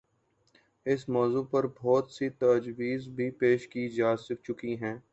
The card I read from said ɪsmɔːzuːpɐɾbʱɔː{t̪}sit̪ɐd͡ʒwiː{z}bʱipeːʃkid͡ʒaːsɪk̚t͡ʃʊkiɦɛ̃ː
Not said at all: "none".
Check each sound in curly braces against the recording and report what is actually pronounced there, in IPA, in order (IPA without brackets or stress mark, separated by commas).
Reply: t̪, z